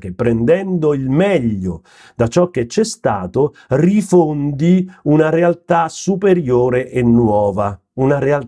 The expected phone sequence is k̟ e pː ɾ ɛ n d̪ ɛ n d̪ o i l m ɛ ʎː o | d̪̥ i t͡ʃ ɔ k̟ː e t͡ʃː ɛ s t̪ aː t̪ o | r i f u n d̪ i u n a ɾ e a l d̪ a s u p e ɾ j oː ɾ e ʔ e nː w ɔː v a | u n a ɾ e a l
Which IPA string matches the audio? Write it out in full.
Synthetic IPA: k̟ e pː ɾ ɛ n d̪ ɛ n d̪ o i l m ɛ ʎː o | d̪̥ a t͡ʃ ɔ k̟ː e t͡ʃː ɛ s t̪ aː t̪ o | r i f o n d̪ i u n a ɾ e a l t̪ a s u p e ɾ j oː ɾ e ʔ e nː w ɔː v a | u n a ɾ e a l